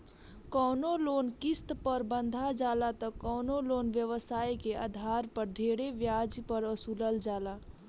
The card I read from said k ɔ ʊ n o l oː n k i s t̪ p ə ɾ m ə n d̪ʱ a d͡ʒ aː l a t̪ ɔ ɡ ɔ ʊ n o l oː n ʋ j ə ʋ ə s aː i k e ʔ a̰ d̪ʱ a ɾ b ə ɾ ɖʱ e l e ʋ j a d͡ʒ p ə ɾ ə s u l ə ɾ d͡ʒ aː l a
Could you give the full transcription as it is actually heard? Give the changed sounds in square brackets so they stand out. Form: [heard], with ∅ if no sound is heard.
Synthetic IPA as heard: k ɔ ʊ n o l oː n k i s t̪ p ə ɾ [b] ə n d̪ʱ a d͡ʒ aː l a t̪ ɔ [k] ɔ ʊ n o l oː n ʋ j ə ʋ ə s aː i k e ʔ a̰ d̪ʱ a ɾ [p] ə ɾ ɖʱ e [ɽ] e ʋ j a d͡ʒ p ə ɾ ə s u l ə [l] d͡ʒ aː l a